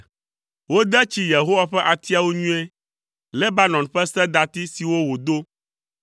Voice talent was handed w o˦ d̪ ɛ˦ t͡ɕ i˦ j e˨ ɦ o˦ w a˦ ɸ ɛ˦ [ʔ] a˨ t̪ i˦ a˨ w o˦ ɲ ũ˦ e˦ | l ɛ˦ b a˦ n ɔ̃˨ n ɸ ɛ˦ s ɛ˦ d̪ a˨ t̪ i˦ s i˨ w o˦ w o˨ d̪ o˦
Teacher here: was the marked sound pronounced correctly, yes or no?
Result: yes